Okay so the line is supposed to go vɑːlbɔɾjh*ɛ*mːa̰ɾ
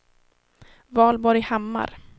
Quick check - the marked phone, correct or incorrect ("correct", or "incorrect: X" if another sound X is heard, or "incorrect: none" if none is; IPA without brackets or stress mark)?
incorrect: a